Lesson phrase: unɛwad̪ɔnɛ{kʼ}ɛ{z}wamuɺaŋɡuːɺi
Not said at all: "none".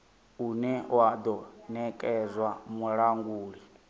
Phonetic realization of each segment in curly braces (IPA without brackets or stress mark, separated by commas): kʼ, z